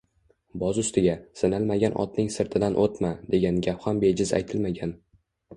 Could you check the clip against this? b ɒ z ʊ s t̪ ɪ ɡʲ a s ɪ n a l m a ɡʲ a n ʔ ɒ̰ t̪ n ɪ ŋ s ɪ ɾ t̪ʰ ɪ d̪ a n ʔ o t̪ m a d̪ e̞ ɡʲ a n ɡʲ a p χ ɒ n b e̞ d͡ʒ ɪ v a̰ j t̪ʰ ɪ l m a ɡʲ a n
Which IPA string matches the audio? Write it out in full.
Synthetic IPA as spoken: b ɒ z ʊ s t̪ ɪ ɡʲ a s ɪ n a l m a ɡʲ a n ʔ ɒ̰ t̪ n ɪ ŋ s ɪ ɾ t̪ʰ ɪ d̪ a n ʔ o t̪ m a d̪ e̞ ɡʲ a n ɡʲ a p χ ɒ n b e̞ d͡ʒ ɪ z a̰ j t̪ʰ ɪ l m a ɡʲ a n